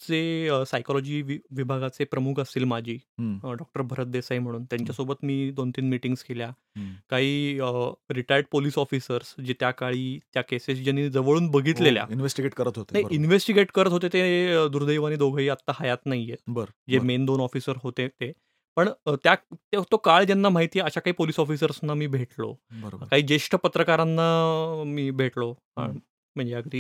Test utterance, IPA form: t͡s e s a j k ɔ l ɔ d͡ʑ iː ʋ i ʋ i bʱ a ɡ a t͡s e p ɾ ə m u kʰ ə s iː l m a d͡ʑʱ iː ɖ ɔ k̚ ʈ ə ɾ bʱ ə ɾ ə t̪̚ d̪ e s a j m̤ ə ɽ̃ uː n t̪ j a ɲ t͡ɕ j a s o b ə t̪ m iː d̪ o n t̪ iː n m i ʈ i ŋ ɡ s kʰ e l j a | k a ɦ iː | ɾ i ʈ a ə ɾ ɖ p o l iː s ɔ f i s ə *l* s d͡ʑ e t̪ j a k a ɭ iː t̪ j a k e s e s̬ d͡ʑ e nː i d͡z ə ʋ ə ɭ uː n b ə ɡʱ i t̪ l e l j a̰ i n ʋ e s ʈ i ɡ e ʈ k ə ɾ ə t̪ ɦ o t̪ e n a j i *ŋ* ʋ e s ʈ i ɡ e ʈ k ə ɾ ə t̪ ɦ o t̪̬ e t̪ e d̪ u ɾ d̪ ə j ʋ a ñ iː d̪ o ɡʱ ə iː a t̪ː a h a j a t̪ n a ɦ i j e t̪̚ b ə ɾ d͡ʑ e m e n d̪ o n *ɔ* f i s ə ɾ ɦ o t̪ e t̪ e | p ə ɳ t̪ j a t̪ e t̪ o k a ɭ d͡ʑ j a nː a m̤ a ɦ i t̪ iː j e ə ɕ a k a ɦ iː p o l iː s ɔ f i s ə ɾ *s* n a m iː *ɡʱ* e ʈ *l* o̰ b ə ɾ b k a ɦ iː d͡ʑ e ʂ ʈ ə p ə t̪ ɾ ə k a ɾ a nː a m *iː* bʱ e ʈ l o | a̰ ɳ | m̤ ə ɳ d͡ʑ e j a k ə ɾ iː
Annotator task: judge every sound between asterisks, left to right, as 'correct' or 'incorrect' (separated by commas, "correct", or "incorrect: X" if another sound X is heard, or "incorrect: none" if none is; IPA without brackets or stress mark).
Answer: incorrect: ɾ, incorrect: n, correct, correct, incorrect: bʱ, correct, correct